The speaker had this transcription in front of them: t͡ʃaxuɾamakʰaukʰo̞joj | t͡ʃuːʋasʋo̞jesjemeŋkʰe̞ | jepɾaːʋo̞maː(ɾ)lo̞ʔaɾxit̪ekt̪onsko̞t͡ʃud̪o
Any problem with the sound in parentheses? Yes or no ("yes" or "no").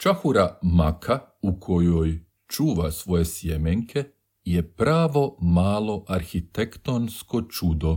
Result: yes